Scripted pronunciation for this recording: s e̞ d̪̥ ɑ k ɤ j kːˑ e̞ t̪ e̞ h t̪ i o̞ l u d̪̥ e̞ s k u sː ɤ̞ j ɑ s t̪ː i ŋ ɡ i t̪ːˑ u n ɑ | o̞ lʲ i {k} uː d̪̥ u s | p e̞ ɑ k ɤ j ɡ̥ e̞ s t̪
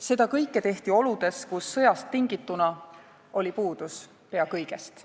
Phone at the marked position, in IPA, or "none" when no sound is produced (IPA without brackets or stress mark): p